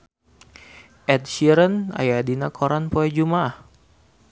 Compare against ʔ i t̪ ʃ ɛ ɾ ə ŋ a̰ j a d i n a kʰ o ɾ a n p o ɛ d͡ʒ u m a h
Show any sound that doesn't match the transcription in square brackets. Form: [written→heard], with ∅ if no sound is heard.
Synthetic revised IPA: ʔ [i→ɛ] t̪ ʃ [ɛ→i] ɾ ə [ŋ→n] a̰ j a d i n a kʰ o ɾ a n p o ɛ d͡ʒ u m a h